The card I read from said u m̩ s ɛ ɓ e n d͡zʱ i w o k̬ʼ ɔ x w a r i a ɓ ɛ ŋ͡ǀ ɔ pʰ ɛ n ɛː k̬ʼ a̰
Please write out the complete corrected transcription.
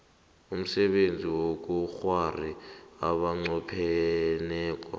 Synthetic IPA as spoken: u m̩ s ɛ ɓ e n d͡zʱ i w o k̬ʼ u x w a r i a ɓ a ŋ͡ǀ ɔ pʰ ɛ n ɛː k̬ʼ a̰